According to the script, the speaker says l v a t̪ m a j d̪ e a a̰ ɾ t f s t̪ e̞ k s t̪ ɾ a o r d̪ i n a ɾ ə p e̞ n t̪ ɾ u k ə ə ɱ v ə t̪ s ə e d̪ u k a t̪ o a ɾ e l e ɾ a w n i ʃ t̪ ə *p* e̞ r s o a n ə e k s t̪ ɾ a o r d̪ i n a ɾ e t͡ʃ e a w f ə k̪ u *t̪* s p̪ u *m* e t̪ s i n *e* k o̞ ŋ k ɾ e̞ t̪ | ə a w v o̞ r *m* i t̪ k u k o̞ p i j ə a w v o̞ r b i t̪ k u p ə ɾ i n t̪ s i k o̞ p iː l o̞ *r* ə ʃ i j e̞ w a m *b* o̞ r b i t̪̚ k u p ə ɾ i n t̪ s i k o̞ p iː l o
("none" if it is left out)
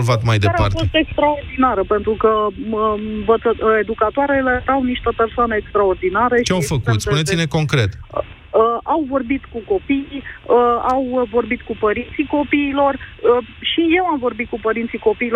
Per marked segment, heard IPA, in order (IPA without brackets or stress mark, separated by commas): p, t̪, n, e, b, r, v